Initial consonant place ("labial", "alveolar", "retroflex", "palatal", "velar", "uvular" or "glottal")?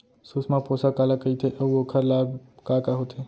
alveolar